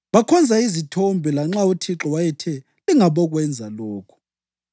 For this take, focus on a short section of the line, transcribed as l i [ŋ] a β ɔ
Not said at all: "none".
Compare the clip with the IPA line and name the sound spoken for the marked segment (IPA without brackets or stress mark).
ŋ